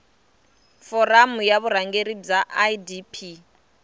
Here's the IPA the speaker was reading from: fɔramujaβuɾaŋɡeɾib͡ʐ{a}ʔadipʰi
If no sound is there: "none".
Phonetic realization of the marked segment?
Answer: a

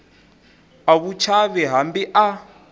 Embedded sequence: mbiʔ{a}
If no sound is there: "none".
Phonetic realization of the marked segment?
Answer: a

